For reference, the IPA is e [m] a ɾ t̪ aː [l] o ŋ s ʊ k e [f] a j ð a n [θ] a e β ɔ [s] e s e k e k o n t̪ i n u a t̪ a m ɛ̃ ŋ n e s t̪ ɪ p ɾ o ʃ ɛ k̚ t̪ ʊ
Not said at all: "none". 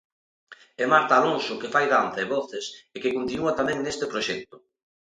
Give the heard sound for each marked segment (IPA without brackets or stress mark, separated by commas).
m, l, f, θ, θ